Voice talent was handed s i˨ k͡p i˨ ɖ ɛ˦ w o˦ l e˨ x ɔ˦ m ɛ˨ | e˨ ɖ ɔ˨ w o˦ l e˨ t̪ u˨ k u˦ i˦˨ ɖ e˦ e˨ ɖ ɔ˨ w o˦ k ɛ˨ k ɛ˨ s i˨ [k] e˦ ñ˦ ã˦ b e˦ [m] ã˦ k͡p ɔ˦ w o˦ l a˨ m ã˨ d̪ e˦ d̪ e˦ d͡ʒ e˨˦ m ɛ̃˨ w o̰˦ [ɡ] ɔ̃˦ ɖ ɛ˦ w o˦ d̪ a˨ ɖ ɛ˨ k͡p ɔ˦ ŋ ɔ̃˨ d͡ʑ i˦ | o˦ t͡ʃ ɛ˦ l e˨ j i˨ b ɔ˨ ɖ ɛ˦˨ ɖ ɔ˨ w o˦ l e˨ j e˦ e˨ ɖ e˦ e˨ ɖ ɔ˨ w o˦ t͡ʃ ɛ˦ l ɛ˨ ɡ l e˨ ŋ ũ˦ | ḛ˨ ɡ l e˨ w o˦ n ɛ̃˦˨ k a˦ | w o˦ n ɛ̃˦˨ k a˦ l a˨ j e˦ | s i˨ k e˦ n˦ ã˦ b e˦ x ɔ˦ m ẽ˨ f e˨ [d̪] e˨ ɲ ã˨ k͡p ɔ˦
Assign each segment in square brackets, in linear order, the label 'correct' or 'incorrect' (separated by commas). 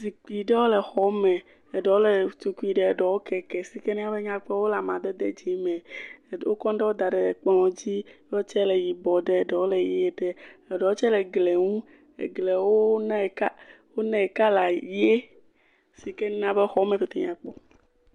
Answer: correct, incorrect, incorrect, incorrect